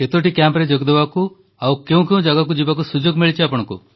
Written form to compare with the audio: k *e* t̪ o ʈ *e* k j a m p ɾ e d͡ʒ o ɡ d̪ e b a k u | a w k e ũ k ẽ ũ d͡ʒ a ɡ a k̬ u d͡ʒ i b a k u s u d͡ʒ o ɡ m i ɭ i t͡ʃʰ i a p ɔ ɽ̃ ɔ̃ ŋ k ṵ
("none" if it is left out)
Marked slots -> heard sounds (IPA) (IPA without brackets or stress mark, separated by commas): e, i